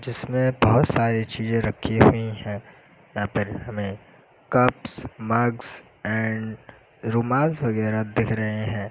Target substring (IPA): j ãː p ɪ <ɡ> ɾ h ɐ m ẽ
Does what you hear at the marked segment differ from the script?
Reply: yes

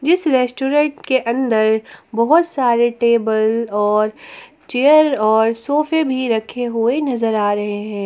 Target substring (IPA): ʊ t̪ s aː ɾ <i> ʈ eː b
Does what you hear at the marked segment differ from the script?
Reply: yes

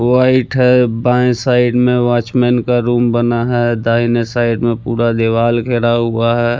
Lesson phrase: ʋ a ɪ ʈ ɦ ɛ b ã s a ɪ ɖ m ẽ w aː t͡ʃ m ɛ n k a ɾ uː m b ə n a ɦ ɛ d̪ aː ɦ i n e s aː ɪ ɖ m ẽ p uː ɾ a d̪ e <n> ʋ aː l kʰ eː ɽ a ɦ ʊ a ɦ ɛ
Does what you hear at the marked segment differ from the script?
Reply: yes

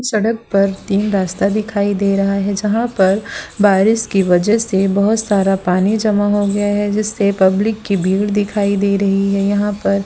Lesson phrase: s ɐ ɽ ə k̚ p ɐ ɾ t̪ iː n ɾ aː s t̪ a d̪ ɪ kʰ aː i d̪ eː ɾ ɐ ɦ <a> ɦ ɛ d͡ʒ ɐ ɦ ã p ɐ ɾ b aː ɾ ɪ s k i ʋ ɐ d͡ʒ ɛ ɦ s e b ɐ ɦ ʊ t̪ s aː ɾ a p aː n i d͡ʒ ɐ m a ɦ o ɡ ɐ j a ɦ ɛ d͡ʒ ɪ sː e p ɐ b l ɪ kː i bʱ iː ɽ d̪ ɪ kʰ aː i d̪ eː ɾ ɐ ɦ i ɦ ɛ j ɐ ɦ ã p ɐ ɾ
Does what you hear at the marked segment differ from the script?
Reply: no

